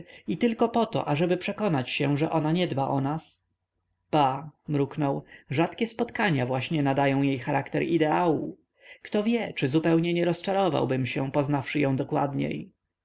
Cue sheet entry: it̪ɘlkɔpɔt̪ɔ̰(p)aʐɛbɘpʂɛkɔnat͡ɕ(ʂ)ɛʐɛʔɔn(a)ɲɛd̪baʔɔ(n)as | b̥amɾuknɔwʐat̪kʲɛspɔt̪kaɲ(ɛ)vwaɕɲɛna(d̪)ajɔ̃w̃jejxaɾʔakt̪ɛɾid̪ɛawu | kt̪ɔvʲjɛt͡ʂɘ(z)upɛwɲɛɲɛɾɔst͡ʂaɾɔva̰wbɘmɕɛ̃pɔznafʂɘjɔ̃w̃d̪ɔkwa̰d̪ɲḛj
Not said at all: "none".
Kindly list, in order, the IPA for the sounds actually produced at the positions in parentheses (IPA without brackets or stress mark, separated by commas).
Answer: ʔ, ɕ, a, n, a, d̪, z